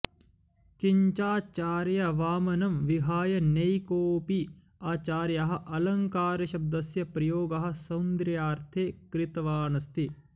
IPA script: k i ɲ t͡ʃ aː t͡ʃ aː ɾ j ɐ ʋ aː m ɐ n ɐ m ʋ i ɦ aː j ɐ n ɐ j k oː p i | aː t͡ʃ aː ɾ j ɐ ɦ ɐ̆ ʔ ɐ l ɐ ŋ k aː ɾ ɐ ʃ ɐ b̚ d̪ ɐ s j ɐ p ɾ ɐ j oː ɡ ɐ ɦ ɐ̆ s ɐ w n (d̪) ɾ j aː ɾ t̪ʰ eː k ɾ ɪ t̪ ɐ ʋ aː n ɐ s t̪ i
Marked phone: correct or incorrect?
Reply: correct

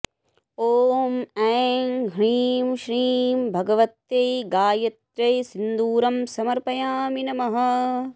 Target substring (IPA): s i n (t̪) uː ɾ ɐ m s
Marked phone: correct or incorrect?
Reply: incorrect: d̪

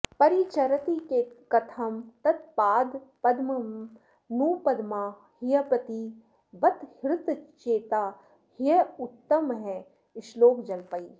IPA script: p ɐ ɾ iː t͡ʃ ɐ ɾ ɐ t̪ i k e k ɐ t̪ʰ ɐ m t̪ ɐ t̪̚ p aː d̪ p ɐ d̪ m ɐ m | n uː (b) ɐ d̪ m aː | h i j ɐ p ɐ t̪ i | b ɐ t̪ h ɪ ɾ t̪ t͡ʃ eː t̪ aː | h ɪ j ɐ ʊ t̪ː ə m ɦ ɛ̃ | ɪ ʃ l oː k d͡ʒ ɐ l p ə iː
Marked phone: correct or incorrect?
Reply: incorrect: p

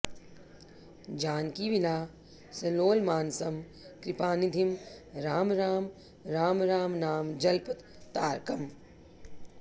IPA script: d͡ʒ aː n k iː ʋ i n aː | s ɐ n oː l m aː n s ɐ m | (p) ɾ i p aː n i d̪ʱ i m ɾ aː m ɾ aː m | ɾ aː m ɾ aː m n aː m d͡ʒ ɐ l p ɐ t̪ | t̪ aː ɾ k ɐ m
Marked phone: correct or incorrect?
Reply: incorrect: k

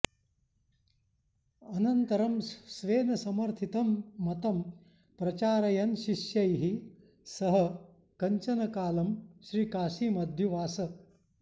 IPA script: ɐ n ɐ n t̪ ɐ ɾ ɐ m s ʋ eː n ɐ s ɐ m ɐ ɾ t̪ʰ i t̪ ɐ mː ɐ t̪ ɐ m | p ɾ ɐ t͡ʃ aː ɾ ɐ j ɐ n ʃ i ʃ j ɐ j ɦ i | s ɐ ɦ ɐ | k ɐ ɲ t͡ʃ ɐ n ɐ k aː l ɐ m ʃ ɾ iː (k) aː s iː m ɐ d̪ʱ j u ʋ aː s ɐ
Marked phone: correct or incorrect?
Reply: correct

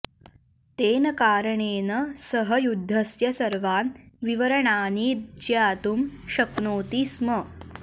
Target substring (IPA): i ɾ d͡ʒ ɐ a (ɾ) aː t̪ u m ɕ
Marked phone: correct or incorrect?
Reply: incorrect: none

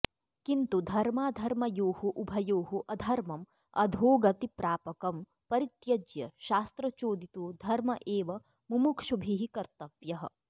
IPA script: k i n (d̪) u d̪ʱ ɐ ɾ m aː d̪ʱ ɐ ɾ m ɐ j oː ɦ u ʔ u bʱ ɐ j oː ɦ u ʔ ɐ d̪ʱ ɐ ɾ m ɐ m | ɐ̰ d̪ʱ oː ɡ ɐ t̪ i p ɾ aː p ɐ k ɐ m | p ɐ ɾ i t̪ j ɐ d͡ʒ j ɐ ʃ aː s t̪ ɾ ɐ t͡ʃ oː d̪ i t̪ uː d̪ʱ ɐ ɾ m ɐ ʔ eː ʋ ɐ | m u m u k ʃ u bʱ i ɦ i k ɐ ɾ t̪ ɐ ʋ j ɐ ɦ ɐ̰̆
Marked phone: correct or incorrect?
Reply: incorrect: t̪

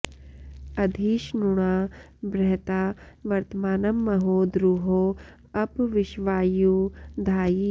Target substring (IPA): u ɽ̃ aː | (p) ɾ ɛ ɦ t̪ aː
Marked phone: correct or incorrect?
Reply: incorrect: b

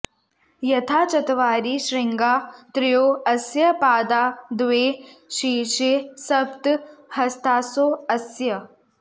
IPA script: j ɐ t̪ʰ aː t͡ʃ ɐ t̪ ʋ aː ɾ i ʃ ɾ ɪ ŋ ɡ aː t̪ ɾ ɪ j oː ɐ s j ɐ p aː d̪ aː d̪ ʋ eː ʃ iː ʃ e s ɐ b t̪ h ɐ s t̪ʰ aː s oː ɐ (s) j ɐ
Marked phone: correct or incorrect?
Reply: correct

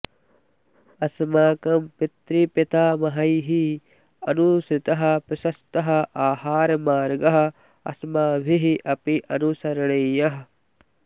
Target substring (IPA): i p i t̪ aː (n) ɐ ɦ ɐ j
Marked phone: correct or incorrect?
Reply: incorrect: m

